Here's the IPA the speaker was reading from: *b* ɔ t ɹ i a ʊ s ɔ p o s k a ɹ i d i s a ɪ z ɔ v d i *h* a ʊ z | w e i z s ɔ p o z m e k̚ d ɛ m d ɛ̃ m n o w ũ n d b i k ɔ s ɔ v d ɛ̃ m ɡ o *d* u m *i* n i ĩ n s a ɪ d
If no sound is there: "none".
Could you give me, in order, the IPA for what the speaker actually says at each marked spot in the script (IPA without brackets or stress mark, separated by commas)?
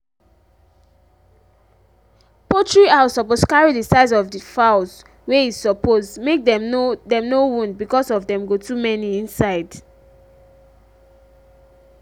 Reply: p, f, t, ɛ